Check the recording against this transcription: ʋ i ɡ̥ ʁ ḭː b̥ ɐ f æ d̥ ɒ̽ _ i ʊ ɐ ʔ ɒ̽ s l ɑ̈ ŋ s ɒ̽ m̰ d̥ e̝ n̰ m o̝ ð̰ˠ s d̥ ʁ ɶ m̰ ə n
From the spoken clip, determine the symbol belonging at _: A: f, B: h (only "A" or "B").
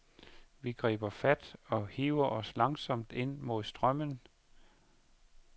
B